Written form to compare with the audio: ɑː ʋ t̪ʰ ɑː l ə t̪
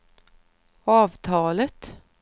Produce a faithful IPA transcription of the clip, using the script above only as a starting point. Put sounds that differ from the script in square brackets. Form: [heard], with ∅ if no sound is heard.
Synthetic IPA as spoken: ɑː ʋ t̪ʰ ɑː l ə t̪